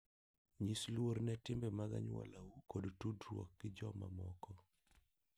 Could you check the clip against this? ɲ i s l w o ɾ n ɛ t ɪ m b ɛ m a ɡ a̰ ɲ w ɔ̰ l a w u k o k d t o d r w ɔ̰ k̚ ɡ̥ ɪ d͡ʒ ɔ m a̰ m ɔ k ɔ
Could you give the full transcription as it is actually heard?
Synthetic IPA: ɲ i s l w o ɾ n ɛ t ɪ m b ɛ m a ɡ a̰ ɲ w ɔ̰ l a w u k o d t u d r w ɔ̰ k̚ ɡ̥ ɪ d͡ʒ ɔ m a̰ m ɔ k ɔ